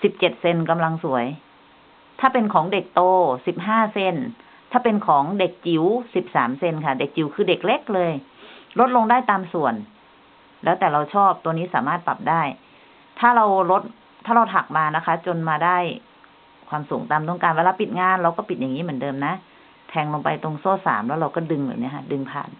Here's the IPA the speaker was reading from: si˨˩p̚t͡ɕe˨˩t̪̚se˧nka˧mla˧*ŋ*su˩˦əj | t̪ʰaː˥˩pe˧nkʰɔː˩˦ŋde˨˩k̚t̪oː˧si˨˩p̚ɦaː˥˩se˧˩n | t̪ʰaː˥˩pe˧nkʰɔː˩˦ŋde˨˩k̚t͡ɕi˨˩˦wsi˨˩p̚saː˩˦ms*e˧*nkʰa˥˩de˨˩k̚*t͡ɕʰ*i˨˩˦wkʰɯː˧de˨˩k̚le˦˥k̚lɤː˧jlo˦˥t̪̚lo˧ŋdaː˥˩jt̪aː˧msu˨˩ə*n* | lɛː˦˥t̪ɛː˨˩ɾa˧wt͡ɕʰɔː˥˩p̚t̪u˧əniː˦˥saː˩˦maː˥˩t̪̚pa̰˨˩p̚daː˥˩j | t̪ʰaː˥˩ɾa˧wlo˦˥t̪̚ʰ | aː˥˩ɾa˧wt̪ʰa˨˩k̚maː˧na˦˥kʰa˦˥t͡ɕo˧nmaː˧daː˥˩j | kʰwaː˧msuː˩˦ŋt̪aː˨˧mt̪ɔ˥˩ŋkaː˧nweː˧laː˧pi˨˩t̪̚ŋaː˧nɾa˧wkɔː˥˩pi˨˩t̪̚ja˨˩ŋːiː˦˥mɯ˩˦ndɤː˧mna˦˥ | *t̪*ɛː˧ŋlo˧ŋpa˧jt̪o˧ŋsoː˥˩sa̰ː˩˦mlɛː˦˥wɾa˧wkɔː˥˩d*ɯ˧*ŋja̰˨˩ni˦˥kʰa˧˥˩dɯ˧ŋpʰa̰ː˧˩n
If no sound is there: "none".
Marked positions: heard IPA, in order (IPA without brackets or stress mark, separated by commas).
ŋ, e˧, t͡ɕ, n, t̪ʰ, ɯ˧